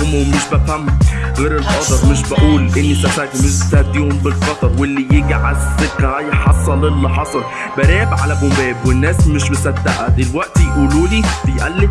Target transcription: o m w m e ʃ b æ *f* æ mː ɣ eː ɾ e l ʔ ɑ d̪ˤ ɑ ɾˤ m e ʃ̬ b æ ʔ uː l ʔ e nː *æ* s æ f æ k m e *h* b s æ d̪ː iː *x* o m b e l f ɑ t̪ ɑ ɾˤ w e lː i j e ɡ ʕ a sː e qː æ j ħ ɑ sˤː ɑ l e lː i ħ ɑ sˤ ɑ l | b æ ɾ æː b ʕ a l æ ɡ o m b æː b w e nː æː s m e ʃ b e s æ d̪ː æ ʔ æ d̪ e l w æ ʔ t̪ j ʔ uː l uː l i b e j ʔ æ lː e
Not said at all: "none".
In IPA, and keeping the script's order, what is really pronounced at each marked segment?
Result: f, i, ʃ, h

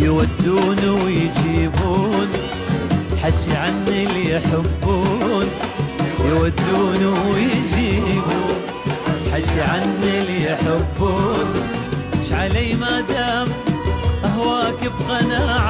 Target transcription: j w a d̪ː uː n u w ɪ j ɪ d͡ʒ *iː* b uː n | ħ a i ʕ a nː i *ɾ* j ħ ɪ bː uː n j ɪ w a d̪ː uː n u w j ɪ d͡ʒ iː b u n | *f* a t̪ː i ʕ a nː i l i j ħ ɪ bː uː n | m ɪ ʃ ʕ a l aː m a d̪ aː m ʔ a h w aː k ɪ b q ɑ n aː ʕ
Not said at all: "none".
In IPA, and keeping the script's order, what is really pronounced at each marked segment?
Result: iː, l, ħ

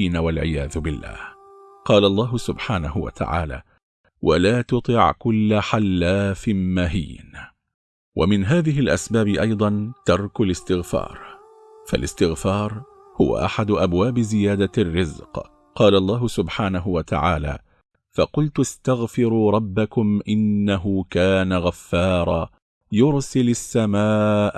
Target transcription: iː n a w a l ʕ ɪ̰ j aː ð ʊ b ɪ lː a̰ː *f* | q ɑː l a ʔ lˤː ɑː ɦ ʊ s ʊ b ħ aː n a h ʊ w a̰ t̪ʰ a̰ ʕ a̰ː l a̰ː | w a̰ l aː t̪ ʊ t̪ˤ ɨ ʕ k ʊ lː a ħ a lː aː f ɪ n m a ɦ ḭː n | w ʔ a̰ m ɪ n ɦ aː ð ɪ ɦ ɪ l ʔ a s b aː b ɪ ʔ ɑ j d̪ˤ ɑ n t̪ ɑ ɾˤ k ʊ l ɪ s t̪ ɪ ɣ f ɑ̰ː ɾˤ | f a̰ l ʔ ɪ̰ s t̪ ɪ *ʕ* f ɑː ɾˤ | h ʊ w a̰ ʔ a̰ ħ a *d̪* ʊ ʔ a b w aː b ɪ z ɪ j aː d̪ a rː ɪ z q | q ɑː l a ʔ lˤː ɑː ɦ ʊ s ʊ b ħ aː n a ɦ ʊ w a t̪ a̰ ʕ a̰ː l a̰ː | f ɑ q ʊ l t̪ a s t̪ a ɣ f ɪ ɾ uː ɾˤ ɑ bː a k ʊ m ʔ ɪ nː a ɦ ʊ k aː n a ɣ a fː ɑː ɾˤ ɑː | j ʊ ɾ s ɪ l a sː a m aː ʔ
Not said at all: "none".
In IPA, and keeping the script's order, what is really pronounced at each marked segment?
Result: h, ɣ, d̪

